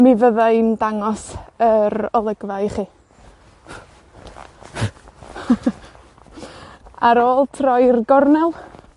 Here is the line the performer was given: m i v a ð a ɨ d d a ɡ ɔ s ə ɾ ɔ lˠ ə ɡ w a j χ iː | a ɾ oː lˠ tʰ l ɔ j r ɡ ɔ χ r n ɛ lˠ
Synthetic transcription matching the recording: m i v ə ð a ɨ n d a ŋ ɔ s ə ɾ ɔ lˠ ə ɡ v a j χ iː | a ɾ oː lˠ tʰ r ɔ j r ɡ ɔ r n ɛ lˠ